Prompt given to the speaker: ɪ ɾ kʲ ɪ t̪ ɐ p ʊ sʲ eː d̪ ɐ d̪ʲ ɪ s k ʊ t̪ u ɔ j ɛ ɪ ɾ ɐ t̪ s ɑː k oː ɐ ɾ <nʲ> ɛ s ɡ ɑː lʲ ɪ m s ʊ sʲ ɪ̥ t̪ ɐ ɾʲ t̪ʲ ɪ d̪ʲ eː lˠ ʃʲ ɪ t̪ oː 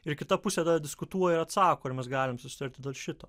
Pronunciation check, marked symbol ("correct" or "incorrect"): incorrect